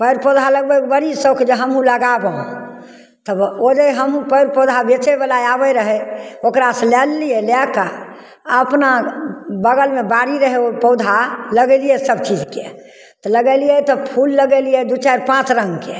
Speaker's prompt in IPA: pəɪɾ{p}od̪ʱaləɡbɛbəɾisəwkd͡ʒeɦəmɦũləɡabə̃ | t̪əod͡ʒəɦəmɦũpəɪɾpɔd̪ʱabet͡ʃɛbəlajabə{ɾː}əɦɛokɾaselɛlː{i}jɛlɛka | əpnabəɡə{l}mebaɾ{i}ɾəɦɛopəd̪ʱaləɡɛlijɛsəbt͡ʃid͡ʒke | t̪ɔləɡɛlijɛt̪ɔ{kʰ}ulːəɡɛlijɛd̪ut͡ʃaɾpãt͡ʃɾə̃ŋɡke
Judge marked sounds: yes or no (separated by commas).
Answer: yes, no, yes, yes, yes, no